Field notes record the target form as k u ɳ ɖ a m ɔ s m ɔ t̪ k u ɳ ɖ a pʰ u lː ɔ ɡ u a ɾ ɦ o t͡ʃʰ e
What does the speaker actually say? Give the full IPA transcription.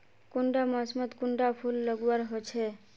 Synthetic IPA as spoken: k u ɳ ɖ a m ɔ s m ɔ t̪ k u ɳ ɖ a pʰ u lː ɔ ɡ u a ɾ ɦ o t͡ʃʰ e